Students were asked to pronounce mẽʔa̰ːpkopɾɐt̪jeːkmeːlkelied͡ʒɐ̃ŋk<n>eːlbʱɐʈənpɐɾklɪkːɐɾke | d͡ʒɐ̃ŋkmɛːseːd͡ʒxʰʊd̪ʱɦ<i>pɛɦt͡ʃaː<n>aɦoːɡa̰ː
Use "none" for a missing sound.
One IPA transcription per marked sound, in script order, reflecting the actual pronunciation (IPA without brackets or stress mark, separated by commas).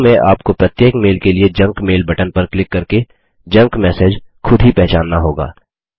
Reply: m, i, nː